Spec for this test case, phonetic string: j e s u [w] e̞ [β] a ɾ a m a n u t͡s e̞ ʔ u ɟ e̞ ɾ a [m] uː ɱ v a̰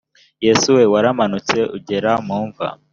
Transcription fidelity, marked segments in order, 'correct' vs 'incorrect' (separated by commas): correct, incorrect, correct